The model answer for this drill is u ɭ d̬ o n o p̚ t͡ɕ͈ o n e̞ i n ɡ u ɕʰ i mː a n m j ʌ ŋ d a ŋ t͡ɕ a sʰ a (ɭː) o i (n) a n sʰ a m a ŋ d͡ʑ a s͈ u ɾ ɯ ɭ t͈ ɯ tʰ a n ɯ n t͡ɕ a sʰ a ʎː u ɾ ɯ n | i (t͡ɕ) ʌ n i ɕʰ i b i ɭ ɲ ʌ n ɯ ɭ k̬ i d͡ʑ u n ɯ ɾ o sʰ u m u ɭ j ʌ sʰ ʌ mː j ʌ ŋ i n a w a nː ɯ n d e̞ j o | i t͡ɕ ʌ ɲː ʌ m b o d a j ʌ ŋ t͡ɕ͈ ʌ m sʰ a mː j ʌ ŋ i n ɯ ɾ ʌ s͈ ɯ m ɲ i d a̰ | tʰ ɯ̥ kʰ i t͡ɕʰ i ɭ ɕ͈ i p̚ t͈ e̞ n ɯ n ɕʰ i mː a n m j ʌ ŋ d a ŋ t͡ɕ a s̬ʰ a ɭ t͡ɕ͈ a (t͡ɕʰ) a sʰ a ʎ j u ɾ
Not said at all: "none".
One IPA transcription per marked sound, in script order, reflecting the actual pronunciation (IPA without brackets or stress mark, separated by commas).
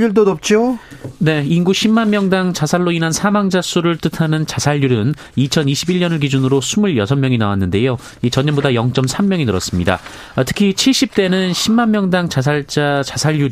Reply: ɭː, n, t͡ɕʰ, t͡ɕ